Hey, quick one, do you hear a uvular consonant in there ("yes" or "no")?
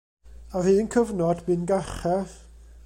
yes